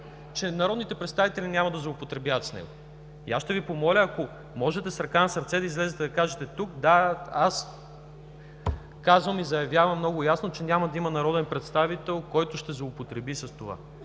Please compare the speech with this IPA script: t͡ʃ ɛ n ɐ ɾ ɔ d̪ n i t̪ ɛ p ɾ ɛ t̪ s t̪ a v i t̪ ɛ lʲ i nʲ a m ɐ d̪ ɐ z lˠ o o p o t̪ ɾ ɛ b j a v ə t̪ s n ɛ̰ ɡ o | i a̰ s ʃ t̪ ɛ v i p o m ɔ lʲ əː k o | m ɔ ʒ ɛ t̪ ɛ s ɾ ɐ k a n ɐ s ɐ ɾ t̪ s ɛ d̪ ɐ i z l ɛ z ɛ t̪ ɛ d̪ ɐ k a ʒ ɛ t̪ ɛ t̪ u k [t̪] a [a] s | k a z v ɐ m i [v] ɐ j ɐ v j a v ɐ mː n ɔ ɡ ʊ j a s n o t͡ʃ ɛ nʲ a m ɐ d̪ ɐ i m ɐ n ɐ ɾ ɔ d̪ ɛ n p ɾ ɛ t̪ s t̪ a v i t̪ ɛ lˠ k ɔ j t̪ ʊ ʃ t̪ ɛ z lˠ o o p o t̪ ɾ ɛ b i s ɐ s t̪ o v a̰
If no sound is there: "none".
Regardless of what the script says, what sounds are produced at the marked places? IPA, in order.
d̪, a, z

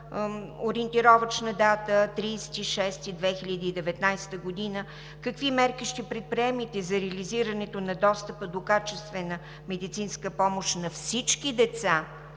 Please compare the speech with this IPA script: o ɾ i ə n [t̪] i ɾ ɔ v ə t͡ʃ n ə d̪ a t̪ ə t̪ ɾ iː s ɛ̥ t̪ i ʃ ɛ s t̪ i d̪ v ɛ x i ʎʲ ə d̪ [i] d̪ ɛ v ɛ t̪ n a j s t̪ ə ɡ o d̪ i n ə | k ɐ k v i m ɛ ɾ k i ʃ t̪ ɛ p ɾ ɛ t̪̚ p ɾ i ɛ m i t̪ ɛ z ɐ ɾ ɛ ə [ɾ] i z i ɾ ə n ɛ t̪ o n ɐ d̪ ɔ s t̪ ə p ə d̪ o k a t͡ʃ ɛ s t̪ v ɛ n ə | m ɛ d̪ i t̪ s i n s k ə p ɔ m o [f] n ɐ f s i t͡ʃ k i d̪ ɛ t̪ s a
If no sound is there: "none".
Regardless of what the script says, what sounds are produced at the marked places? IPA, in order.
t̪, iː, l, ʃ

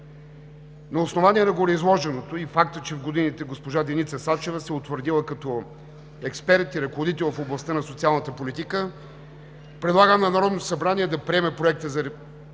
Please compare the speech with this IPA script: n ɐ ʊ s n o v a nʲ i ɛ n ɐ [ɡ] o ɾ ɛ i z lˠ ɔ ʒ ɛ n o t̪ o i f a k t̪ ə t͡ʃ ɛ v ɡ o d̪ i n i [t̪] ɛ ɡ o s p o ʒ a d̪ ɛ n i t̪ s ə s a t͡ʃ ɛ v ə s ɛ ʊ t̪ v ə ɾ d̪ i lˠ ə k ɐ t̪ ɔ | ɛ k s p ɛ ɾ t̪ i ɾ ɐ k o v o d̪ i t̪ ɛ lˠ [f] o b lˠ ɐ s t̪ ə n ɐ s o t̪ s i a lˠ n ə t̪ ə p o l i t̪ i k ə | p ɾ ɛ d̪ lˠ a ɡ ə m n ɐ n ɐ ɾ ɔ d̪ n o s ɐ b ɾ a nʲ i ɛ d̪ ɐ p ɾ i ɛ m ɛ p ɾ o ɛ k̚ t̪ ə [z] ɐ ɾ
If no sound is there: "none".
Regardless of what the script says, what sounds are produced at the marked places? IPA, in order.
ɡ, t̪, f, z

